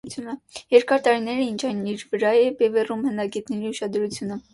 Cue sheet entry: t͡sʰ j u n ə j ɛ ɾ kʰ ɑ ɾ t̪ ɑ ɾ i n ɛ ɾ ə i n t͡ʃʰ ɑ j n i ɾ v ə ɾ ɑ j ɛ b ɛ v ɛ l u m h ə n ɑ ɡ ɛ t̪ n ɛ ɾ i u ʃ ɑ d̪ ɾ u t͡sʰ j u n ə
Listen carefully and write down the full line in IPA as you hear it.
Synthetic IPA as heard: t͡sʰ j u n ə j ɛ ɾ k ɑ ɾ t̪ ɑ ɾ i n ɛ ɾ ə i n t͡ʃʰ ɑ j n i ɾ v ə ɾ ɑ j ɛ b ɛ v ɛ r u m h ə n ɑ ɡ ɛ t̪ n ɛ ɾ i u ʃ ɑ d̪ ɾ u t͡sʰ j u n ə